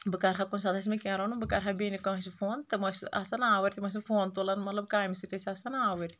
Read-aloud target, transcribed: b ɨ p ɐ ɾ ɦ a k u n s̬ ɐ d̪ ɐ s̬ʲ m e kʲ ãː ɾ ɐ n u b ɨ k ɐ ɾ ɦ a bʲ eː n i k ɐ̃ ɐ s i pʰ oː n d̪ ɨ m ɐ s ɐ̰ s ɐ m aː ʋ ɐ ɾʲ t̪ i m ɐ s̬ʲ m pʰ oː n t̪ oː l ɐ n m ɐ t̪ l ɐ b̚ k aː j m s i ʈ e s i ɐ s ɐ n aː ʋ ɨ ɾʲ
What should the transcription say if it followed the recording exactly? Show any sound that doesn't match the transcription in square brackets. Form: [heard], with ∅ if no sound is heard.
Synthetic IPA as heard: b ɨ [k] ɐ ɾ ɦ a k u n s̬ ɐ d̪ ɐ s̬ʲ m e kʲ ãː ɾ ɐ n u b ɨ k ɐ ɾ ɦ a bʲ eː n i k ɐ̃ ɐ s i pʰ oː n [t̪] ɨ m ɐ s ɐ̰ s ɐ [n] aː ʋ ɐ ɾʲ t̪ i m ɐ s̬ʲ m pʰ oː n t̪ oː l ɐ n m ɐ t̪ l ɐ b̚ k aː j m s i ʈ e s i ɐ s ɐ n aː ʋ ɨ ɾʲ

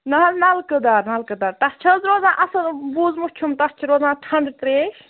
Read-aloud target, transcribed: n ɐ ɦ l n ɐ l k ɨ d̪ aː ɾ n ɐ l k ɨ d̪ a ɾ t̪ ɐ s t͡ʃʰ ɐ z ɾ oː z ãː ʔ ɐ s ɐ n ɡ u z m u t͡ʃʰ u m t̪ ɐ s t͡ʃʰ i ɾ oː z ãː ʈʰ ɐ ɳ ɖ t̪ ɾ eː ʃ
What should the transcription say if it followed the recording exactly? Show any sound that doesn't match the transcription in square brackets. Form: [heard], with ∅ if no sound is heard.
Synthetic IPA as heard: n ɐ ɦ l n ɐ l k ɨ d̪ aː ɾ n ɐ l k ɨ d̪ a ɾ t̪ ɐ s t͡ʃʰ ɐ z ɾ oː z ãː ʔ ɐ s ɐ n [b] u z m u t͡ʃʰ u m t̪ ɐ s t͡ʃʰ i ɾ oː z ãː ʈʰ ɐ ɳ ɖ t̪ ɾ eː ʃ

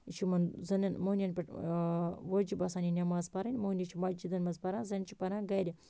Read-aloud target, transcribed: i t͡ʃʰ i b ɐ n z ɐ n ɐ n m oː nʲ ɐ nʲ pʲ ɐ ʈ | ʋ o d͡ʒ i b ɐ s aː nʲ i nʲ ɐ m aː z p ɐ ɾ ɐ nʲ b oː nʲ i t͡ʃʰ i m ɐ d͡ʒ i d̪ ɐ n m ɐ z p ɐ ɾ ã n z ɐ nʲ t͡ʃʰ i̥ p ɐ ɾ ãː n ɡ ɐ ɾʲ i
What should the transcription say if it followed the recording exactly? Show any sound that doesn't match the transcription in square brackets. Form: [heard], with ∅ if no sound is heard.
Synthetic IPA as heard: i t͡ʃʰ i [m] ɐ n z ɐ n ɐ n m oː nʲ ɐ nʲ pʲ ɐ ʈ | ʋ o d͡ʒ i b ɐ s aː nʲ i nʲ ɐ m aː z p ɐ ɾ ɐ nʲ [m] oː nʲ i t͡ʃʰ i m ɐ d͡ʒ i d̪ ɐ n m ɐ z p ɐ ɾ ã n z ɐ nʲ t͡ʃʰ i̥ p ɐ ɾ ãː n ɡ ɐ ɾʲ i

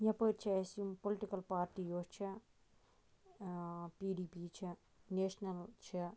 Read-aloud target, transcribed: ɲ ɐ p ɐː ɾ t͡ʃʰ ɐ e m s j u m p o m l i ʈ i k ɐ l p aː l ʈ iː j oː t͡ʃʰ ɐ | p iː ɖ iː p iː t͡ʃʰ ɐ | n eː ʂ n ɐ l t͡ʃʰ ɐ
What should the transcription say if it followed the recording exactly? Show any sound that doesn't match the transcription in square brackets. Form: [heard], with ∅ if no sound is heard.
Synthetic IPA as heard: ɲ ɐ p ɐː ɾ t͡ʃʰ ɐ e [∅] s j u m p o [∅] l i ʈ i k ɐ l p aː [ɾ] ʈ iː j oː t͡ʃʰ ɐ | p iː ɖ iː p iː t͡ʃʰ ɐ | n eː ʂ n ɐ l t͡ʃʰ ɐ

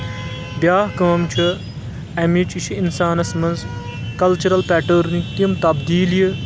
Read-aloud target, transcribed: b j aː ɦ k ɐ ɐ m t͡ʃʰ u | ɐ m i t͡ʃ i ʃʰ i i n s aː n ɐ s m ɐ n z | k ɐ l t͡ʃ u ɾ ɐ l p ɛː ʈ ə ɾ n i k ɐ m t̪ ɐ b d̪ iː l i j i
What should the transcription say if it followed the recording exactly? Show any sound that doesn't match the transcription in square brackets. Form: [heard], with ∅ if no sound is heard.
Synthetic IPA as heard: b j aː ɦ k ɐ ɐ m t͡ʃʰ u | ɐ m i t͡ʃ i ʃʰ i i n s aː n ɐ s m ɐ n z | k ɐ l t͡ʃ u ɾ ɐ l p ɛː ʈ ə ɾ n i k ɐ m t̪ ɐ b d̪ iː l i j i

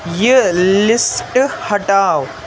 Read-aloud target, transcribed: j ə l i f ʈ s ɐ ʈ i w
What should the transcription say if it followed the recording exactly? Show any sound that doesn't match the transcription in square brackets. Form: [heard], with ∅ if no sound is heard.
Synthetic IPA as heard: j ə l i [s] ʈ [h] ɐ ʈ [a] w

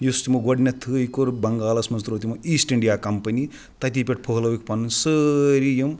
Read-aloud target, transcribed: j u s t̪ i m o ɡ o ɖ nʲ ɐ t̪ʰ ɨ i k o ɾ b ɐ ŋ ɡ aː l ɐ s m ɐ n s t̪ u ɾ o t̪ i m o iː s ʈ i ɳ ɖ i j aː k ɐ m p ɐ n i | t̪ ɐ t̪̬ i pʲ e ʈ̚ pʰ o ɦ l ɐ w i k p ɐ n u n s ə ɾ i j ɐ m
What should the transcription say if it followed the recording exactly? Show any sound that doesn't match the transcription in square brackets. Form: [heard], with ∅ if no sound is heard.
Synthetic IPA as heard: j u s t̪ i m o ɡ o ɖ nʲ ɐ t̪ʰ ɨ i k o ɾ b ɐ ŋ ɡ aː l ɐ s m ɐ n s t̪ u ɾ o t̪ i m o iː s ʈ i ɳ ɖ i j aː k ɐ m p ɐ n i | t̪ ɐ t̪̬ i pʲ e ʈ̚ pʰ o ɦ l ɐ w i k p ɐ n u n s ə ɾ i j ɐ m

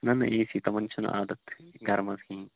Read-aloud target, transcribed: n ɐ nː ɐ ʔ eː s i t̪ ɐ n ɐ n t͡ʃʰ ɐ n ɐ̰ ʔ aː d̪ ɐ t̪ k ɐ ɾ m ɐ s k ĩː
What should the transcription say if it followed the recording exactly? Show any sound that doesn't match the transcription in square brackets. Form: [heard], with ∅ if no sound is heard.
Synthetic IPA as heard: n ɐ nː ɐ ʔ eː s i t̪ ɐ [m] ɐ n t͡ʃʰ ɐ n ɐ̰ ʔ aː d̪ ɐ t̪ [ɡ] ɐ ɾ m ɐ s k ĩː

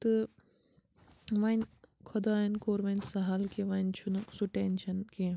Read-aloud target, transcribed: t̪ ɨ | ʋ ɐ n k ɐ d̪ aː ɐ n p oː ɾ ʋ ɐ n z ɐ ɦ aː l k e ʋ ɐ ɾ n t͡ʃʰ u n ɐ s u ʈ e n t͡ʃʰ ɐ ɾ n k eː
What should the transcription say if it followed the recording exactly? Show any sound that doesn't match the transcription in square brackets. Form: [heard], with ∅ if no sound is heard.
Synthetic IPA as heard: t̪ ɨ | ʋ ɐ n [kʰ] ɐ d̪ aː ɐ n [k] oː ɾ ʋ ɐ n [s] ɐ ɦ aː l k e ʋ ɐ [∅] n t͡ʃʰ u n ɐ s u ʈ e n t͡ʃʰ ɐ [∅] n k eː

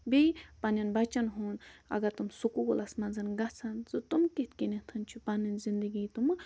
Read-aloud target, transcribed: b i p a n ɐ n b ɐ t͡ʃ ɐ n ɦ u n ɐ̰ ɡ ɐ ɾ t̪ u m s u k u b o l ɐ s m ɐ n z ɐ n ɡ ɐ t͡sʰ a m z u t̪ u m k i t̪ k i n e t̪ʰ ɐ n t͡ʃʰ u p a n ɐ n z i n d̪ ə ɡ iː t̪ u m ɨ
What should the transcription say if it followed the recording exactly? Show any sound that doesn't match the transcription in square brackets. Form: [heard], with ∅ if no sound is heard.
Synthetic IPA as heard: b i p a n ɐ n b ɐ t͡ʃ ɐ n ɦ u n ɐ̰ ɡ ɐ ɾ t̪ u m s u k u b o l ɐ s m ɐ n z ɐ n ɡ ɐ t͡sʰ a [n] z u t̪ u m k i t̪ k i n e t̪ʰ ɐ n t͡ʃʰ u p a n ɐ n z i n d̪ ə ɡ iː t̪ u m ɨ

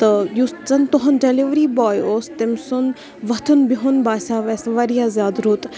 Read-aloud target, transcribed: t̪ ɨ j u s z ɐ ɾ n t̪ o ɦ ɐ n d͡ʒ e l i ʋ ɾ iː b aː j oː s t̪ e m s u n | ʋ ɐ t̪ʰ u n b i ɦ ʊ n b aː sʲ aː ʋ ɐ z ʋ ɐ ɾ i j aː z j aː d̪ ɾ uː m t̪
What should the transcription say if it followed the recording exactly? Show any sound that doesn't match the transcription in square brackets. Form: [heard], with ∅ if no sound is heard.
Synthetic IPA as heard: t̪ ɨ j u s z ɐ [∅] n t̪ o ɦ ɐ n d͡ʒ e l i ʋ ɾ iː b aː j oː s t̪ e m s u n | ʋ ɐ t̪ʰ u n b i ɦ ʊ n b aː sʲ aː ʋ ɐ [s] ʋ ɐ ɾ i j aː z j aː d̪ ɾ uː [∅] t̪

